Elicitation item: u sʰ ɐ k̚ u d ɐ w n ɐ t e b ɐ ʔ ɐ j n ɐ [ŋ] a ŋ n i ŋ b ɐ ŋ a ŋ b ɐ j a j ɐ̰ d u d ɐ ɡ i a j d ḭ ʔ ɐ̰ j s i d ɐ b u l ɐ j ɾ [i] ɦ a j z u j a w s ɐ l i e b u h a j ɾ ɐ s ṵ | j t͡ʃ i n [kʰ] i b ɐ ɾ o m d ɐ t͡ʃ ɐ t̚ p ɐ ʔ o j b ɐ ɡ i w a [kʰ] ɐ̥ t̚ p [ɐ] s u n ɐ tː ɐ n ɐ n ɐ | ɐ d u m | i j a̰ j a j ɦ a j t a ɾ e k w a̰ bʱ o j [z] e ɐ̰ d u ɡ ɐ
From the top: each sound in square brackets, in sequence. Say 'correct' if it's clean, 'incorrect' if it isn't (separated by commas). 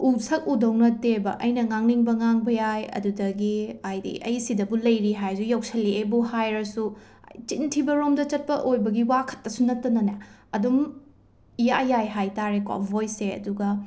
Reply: correct, correct, incorrect, correct, correct, incorrect